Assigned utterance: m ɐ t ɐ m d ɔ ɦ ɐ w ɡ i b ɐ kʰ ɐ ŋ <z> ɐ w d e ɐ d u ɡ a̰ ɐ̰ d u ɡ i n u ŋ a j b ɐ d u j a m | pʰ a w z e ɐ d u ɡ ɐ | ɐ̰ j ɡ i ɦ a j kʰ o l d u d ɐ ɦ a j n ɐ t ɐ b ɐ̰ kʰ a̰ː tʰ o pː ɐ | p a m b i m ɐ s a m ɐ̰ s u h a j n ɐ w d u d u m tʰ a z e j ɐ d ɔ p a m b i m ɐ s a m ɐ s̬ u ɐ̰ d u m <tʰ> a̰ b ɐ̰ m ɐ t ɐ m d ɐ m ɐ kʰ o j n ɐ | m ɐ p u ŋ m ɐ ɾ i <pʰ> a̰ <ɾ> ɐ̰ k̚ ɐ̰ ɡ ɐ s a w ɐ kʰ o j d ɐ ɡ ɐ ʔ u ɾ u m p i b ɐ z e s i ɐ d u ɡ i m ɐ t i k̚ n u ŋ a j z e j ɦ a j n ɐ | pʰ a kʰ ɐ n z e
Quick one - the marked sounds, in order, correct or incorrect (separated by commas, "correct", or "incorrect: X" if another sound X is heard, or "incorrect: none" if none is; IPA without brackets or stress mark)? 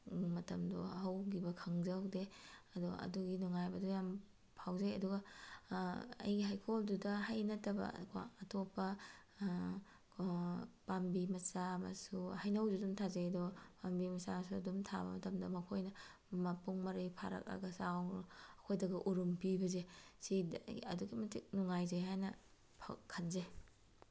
correct, correct, correct, correct